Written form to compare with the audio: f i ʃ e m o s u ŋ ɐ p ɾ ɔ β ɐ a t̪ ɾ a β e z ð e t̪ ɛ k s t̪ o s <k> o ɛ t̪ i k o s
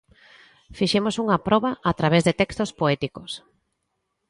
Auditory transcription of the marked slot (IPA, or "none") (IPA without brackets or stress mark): p